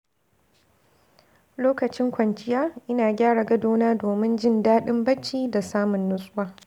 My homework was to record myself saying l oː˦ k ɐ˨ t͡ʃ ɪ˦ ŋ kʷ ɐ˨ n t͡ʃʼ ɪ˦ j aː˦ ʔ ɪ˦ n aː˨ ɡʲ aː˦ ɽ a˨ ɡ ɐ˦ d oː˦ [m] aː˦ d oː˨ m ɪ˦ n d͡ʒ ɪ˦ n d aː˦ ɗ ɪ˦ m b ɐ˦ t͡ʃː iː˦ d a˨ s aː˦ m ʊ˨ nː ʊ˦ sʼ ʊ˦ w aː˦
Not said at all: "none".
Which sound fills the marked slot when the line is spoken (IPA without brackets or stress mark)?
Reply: n